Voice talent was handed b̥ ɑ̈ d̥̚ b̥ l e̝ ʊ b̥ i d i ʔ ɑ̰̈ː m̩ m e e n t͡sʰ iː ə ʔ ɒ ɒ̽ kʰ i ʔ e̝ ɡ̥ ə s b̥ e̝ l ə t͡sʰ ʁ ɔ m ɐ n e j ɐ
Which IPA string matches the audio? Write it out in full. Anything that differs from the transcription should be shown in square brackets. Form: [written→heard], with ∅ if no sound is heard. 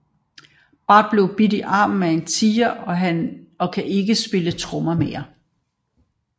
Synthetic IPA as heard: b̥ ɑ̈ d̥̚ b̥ l e̝ ʊ b̥ i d i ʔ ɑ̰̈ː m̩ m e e n t͡sʰ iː [ə→ɐ] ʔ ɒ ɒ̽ kʰ [i→æ] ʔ e̝ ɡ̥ ə s b̥ e̝ l ə t͡sʰ ʁ ɔ m ɐ [n→m] e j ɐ